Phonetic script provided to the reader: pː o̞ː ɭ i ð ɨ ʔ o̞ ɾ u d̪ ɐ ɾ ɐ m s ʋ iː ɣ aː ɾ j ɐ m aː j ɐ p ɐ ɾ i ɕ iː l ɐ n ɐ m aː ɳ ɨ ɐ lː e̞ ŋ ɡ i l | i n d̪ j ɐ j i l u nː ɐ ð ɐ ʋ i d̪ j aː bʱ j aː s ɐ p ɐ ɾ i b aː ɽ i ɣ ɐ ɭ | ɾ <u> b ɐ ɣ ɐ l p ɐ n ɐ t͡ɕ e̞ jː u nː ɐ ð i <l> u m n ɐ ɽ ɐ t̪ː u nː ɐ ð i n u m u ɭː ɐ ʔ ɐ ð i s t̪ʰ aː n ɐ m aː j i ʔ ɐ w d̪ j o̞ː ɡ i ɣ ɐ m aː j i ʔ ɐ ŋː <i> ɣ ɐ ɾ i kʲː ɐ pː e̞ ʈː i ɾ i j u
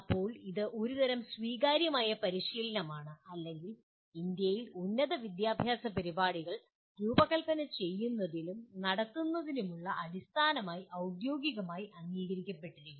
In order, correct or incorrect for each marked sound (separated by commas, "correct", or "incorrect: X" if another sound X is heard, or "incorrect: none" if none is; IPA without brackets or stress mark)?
incorrect: uː, correct, incorrect: iː